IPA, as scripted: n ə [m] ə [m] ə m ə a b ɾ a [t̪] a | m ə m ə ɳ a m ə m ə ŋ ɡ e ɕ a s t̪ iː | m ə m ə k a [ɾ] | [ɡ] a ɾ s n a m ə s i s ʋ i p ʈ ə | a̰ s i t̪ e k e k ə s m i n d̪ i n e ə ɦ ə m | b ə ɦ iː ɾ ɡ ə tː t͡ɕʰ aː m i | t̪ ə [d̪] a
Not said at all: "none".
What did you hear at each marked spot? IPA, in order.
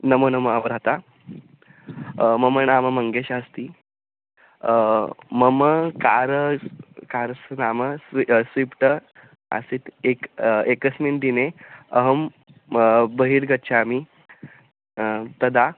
m, n, t̪, ɾ, k, d̪

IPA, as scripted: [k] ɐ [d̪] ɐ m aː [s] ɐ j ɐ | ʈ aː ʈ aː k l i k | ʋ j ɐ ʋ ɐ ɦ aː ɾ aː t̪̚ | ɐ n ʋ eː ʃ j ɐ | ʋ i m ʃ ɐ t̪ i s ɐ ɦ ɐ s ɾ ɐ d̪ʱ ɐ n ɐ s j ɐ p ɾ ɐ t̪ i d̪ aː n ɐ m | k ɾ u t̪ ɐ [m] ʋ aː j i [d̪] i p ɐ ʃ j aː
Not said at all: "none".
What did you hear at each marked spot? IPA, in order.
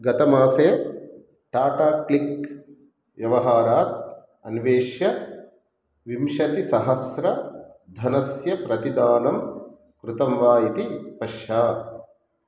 ɡ, t̪, s, m, t̪

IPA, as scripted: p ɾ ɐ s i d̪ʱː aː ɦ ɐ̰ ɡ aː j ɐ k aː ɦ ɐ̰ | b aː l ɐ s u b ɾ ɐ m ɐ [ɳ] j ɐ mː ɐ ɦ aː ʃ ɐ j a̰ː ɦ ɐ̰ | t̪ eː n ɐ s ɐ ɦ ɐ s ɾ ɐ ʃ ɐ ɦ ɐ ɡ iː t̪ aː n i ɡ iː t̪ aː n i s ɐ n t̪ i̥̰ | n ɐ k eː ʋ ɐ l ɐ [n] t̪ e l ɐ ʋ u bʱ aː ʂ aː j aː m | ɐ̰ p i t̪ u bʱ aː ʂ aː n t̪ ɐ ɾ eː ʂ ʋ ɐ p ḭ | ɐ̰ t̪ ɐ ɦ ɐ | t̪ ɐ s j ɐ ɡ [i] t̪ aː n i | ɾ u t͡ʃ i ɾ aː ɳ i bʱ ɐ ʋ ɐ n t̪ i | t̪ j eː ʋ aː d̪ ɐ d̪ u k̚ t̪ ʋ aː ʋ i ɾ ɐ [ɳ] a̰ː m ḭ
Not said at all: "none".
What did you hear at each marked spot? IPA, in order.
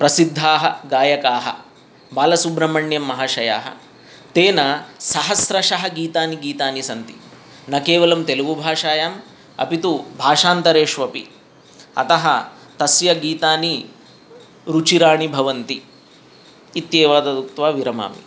ɳ, m, iː, m

